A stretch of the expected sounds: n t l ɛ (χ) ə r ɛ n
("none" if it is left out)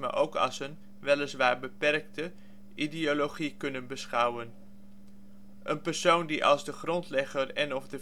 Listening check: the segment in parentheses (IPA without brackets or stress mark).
χ